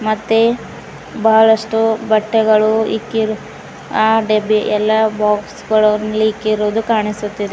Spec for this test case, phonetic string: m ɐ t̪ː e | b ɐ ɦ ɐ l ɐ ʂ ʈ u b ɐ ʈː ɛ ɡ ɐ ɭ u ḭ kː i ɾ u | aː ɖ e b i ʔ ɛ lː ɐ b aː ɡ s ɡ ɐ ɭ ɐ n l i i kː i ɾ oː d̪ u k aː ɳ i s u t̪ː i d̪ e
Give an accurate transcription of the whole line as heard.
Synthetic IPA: m ɐ t̪ː e | b ɐ ɦ ɐ ɭ ɐ ʂ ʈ u b ɐ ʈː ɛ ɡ ɐ ɭ u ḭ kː i ɾ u | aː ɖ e b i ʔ ɛ lː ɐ b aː k s ɡ ɐ ɭ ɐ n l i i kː i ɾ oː d̪ u k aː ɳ i s u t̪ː i d̪ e